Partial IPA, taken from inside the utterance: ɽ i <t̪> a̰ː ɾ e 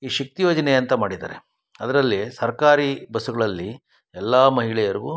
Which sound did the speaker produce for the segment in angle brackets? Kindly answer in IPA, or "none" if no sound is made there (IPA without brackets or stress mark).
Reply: d̪